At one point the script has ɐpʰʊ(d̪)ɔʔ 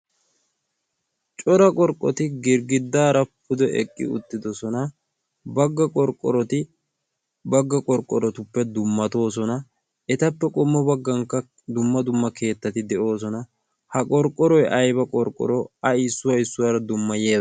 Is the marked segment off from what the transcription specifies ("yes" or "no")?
no